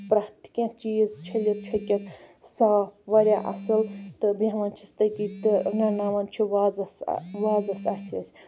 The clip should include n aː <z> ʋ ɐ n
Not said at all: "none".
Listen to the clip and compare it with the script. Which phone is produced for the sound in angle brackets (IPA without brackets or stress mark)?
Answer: none